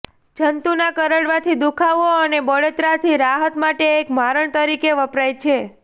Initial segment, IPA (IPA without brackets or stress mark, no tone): d͡ʒ